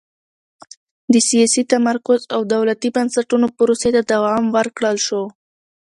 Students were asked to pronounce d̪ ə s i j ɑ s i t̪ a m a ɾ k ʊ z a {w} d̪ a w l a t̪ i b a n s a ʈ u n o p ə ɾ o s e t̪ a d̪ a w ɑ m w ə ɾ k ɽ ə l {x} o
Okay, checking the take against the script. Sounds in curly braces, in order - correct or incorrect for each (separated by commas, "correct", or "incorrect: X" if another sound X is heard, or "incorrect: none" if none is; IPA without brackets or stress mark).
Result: correct, incorrect: ʃ